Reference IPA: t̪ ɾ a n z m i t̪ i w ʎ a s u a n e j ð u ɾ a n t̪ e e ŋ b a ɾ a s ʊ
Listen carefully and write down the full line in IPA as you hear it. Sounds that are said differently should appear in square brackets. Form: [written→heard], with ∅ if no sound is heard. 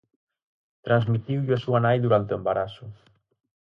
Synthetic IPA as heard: t̪ ɾ a n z m i t̪ i w ʎ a s u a n [e→a] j ð u ɾ a n t̪ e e [ŋ→m] b a ɾ a s ʊ